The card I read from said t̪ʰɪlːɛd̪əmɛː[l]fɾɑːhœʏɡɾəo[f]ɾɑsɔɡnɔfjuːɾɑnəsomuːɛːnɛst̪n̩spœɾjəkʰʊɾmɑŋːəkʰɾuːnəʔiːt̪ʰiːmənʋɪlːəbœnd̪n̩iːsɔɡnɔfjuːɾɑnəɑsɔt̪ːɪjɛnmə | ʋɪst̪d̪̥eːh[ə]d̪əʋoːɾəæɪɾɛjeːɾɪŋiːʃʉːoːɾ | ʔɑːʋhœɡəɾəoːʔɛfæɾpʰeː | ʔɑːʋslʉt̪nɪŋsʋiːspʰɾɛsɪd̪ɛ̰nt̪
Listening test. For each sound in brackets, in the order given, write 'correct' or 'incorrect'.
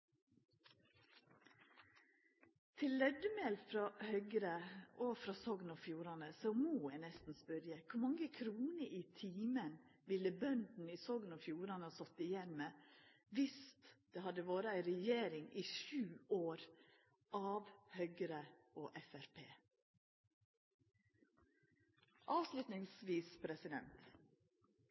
correct, correct, incorrect: ɑ

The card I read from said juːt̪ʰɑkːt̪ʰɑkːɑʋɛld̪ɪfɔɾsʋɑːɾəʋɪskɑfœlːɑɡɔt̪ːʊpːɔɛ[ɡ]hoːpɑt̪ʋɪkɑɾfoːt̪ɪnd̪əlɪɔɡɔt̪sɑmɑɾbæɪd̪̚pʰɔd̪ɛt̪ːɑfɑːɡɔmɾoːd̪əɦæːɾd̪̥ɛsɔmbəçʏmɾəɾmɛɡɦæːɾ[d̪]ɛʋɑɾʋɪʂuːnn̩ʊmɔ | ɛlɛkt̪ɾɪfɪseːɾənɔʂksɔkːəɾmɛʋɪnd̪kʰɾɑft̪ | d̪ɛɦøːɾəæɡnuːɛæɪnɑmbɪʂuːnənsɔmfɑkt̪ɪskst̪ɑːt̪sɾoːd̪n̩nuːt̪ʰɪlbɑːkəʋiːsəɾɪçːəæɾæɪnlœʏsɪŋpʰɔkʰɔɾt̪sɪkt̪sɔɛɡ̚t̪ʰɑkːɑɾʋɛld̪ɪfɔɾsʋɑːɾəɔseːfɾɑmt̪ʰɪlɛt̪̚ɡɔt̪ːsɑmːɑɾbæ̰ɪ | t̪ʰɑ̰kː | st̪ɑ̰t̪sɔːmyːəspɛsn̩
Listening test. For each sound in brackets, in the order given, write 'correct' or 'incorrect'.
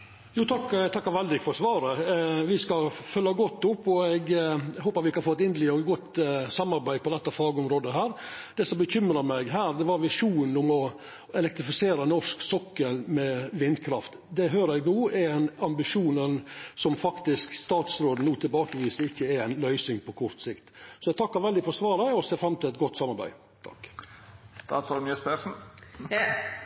correct, correct

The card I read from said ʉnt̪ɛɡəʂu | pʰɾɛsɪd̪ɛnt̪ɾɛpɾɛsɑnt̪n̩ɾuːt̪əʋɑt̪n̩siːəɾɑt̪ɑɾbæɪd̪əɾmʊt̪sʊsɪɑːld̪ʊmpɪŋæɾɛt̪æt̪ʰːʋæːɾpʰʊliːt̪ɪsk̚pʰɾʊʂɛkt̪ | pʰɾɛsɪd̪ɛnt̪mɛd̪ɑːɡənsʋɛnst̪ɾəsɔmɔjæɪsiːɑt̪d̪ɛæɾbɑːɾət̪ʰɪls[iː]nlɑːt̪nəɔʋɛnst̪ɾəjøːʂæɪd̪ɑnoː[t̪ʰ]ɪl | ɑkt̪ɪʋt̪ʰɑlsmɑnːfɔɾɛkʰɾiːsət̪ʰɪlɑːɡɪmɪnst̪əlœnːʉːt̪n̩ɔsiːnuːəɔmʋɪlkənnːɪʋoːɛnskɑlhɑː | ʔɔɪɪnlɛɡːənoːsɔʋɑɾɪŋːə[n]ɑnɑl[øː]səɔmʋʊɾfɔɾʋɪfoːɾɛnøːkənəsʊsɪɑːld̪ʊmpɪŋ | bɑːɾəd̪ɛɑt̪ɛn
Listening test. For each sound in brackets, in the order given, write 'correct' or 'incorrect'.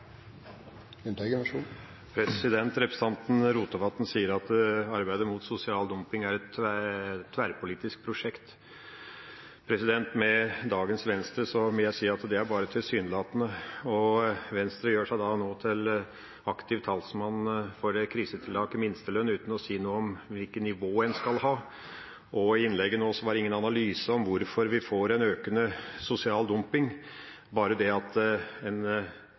incorrect: yː, correct, correct, incorrect: yː

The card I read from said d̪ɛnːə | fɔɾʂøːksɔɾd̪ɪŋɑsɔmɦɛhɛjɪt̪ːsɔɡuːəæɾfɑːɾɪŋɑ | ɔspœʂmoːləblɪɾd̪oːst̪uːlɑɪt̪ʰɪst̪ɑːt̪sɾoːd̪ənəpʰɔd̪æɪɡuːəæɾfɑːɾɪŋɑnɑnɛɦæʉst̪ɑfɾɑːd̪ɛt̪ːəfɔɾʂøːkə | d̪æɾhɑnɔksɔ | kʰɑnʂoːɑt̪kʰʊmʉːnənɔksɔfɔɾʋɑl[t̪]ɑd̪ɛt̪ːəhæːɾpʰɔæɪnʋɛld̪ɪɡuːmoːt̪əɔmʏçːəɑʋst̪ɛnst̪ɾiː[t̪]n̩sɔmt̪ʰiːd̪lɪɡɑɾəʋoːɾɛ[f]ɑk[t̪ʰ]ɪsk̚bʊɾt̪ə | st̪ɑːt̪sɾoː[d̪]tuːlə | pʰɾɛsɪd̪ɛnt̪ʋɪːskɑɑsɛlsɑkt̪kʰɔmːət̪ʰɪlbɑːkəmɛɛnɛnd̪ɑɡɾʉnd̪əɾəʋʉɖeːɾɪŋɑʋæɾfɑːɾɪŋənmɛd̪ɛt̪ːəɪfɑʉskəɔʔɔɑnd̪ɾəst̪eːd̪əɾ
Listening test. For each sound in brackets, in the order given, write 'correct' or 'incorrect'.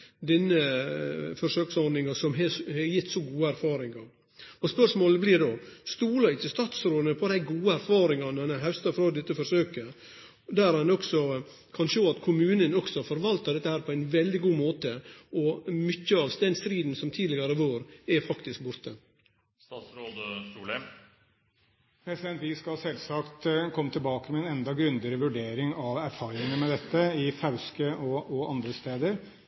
correct, incorrect: d̪, correct, incorrect: t̪, correct

